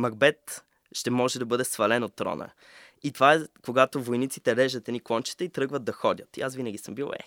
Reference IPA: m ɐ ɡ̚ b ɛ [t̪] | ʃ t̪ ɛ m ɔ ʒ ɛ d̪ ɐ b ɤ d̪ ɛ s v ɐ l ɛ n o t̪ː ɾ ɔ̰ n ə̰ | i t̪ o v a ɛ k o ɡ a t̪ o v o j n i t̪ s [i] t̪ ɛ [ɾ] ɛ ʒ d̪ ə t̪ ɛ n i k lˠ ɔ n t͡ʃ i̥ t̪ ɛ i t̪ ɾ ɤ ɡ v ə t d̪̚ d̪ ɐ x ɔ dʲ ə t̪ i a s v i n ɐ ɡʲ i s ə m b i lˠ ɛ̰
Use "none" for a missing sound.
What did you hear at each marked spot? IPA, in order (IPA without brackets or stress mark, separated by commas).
t̪, i, ɾ